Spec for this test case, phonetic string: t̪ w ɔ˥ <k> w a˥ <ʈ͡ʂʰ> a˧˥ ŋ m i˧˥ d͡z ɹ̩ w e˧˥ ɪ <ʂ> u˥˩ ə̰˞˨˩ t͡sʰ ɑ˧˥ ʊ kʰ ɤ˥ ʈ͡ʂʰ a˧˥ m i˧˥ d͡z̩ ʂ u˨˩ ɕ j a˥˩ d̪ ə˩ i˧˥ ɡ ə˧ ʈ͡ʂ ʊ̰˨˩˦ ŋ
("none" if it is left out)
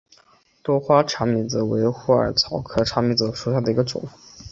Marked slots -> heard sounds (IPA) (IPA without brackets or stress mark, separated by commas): x, ʈ͡ʂʰ, x